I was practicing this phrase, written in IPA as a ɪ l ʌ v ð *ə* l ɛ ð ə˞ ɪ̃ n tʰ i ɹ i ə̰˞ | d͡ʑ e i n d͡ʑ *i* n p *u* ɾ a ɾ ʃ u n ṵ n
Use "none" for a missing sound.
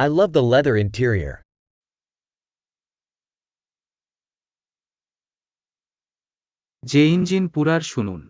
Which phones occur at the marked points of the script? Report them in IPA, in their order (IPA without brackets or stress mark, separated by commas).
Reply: ə, i, u